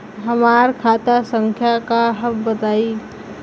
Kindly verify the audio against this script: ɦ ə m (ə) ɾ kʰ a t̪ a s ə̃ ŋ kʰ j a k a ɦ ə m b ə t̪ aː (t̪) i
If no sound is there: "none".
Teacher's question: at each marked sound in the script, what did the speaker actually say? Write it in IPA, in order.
a, none

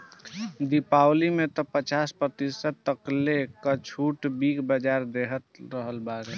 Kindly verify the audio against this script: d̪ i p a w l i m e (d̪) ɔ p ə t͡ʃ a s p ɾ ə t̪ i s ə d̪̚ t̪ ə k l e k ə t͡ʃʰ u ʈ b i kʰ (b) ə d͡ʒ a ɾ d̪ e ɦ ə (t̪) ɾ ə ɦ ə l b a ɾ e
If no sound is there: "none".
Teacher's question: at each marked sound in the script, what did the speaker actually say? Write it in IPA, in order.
t̪, b, t̪

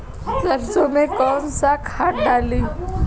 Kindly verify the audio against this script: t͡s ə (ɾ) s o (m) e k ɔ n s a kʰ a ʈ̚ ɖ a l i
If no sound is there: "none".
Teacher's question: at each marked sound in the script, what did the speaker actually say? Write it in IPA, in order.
ɾ, m

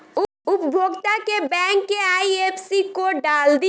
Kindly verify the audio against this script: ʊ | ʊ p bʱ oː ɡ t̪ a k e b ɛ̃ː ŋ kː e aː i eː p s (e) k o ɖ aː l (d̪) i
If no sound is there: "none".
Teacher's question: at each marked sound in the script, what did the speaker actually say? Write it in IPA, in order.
i, d̪

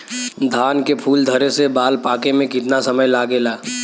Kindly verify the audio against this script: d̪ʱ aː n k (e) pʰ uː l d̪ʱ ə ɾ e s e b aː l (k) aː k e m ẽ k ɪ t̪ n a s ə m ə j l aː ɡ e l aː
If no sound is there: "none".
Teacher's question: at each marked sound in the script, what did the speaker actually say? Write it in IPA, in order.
e, p

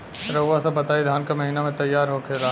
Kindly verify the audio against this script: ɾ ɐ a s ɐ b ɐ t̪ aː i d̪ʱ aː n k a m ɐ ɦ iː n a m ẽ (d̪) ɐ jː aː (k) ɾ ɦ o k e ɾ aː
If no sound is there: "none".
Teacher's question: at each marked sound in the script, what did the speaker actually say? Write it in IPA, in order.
t̪, none

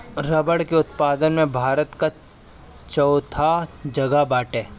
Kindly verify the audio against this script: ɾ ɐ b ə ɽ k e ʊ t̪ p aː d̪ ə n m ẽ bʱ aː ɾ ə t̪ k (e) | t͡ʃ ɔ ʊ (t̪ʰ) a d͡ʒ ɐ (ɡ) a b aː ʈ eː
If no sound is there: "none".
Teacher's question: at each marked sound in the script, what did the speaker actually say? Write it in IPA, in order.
a, t̪ʰ, ɡ

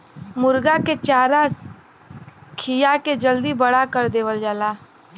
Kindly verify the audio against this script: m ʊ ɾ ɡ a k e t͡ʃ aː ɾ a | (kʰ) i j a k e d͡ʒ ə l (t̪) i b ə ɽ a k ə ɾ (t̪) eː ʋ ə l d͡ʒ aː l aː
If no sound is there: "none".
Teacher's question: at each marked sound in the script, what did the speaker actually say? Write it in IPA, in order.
kʰ, d̪, d̪

